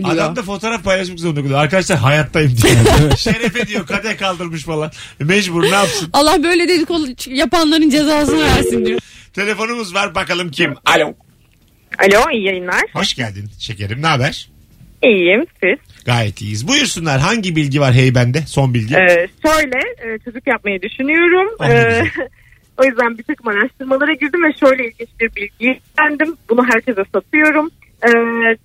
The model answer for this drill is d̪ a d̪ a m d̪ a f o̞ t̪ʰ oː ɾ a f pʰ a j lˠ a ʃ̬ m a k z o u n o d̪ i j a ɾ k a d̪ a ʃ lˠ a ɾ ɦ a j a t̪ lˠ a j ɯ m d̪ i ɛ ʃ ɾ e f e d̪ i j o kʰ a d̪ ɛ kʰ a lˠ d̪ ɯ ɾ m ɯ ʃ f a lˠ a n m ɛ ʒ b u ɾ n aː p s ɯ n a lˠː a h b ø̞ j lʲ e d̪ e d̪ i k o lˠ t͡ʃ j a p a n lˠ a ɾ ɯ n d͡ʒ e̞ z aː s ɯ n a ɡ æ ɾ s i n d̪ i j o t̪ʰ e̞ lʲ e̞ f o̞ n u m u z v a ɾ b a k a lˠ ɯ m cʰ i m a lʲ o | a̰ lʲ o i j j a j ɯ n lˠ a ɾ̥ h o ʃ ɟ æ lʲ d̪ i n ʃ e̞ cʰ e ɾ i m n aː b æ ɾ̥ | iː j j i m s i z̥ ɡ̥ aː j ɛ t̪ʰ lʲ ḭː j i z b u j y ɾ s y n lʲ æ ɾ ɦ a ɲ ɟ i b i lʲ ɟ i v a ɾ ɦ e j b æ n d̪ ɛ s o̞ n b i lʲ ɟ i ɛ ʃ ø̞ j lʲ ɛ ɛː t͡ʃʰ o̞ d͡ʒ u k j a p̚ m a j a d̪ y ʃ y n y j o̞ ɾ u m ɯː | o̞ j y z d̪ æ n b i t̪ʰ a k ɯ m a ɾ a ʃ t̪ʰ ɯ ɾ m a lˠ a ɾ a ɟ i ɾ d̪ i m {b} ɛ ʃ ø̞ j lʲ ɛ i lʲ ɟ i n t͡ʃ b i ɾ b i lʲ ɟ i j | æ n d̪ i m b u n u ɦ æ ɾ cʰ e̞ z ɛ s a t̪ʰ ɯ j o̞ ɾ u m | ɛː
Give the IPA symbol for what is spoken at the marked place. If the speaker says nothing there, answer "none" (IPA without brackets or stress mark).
v